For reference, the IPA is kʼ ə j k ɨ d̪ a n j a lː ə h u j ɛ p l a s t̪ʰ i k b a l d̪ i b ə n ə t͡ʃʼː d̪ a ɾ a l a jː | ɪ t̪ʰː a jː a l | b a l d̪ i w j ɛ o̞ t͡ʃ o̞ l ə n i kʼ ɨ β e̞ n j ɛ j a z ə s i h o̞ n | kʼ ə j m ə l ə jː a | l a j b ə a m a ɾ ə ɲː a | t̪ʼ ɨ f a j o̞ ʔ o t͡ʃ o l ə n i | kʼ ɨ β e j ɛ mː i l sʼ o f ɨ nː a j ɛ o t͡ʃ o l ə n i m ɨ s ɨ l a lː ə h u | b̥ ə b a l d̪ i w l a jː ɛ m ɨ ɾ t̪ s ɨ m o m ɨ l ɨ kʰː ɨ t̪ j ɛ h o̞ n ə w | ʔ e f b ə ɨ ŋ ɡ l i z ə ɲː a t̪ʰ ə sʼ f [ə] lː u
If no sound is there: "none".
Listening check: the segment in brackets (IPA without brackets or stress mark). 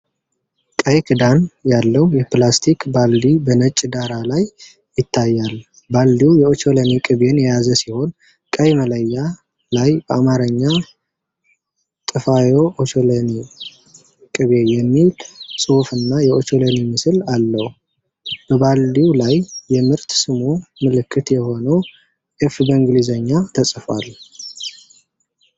a